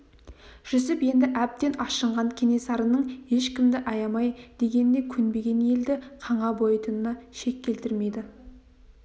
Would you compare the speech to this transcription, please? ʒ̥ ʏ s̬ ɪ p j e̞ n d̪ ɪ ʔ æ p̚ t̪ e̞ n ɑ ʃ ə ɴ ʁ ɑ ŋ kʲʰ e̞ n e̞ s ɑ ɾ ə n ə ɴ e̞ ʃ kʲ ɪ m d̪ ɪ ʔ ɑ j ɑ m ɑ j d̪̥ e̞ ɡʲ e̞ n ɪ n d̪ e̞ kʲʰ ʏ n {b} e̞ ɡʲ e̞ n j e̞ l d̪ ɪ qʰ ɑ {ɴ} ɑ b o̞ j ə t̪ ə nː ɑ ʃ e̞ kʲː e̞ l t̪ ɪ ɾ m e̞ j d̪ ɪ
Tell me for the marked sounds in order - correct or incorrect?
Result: correct, correct

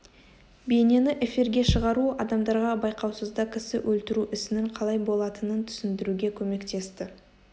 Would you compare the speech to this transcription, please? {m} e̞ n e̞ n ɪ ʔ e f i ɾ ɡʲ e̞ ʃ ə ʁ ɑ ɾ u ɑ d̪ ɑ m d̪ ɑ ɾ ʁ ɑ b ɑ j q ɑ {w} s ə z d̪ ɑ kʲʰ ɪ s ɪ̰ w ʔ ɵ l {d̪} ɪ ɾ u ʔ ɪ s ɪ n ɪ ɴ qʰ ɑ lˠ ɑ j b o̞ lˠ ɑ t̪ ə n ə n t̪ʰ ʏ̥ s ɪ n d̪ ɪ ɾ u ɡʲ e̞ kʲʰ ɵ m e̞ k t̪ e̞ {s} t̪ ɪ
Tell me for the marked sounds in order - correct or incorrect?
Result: incorrect: b, correct, incorrect: t̪, correct

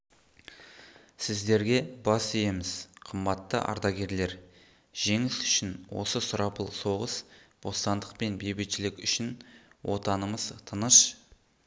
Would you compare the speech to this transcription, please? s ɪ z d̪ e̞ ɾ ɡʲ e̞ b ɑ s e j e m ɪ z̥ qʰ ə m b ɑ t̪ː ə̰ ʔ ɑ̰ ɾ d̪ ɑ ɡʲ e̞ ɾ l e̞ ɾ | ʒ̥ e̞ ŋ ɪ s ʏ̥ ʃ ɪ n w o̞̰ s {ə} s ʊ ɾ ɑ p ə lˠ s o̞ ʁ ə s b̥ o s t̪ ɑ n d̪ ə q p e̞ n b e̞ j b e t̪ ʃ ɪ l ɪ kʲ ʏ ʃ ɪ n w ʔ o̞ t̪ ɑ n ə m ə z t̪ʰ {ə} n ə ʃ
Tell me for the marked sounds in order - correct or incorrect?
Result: correct, correct

